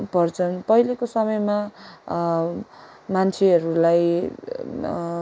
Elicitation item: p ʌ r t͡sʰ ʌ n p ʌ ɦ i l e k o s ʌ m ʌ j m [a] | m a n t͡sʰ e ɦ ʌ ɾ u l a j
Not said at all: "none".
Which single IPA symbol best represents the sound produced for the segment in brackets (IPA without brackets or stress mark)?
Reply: a